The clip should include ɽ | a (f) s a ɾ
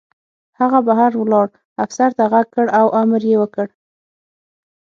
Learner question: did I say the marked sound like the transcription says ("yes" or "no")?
yes